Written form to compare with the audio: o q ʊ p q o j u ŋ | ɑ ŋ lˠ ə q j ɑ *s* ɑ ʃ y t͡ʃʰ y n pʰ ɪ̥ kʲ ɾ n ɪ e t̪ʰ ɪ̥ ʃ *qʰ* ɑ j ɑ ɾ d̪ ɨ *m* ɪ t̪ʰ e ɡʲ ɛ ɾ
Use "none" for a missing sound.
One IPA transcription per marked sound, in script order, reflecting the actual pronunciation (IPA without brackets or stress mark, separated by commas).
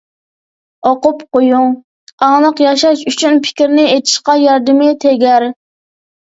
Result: ʃ, q, m